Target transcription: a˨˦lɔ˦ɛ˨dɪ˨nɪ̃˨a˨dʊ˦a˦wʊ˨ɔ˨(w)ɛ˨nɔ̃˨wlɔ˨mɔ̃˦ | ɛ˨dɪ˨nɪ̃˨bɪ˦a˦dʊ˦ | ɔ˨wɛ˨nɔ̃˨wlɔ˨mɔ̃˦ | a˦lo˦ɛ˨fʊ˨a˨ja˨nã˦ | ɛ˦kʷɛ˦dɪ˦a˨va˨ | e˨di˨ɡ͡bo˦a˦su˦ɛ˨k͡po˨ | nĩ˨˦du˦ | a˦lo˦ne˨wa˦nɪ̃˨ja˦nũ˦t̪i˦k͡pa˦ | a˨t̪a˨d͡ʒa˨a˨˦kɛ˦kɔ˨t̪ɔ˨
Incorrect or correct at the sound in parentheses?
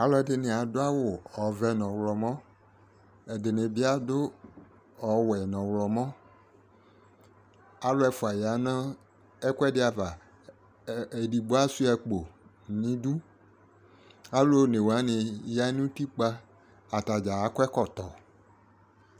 incorrect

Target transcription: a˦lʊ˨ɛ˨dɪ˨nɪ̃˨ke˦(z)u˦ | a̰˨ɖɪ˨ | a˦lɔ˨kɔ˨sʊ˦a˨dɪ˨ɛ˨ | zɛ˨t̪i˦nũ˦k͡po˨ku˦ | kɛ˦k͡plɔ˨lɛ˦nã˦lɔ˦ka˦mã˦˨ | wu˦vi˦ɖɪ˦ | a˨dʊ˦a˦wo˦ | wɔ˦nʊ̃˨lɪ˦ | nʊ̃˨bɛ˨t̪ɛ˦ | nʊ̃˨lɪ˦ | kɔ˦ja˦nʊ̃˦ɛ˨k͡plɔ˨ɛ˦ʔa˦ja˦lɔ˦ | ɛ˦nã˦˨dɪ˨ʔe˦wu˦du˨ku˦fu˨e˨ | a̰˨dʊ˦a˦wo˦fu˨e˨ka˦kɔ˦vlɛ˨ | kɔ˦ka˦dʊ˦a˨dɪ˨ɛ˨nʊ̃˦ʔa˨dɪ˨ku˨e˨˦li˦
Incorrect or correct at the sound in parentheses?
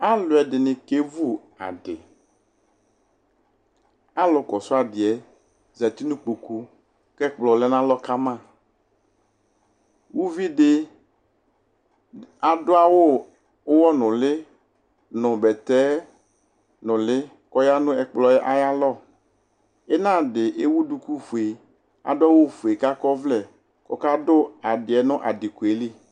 incorrect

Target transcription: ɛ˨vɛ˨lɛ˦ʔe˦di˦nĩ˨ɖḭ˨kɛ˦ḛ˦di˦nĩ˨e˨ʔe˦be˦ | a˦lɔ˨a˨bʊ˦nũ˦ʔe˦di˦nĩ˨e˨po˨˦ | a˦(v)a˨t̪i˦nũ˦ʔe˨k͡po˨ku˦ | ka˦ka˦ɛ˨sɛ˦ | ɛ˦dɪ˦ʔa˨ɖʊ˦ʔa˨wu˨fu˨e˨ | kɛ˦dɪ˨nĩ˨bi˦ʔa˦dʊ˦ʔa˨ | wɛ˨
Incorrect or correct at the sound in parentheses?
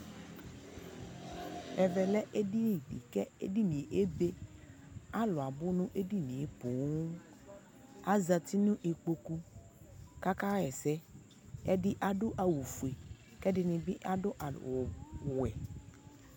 incorrect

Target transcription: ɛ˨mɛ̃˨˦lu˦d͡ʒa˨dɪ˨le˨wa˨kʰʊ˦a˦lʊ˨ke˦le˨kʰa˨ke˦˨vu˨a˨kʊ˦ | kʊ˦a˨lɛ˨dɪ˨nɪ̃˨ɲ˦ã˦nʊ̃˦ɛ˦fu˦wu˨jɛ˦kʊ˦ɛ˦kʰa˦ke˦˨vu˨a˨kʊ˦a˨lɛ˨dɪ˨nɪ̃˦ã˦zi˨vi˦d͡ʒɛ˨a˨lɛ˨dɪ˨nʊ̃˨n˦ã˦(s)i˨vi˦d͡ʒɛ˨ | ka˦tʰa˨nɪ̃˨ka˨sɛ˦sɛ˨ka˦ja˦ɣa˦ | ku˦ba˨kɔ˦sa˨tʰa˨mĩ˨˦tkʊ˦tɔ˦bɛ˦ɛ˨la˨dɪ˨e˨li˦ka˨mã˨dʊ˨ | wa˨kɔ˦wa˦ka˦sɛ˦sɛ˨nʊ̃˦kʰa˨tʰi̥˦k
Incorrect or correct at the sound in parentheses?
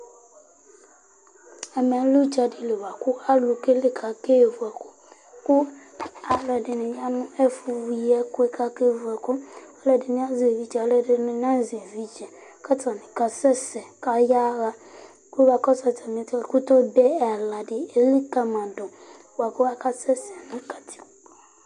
incorrect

